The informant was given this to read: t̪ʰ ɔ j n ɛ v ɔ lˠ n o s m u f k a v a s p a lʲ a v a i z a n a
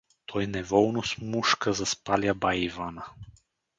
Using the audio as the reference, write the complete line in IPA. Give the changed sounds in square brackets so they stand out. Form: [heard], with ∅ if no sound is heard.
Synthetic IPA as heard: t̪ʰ ɔ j n ɛ v ɔ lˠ n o s m u [ʃ] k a [z] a s p a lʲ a [b] a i [v] a n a